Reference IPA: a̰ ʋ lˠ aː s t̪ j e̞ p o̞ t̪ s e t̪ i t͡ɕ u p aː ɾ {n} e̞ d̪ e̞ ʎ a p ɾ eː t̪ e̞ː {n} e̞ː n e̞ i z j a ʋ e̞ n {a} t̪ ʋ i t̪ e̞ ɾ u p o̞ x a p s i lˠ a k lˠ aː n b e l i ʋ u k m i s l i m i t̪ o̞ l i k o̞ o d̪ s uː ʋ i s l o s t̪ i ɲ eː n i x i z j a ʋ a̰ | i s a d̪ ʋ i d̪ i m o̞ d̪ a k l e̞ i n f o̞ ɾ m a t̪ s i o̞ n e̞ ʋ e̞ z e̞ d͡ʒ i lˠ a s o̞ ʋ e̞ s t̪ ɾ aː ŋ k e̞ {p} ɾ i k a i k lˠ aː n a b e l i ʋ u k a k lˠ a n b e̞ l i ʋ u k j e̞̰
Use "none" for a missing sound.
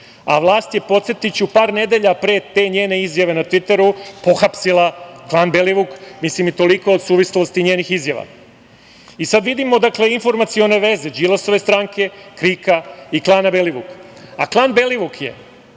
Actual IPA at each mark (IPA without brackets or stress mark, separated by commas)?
n, ɲ, a, k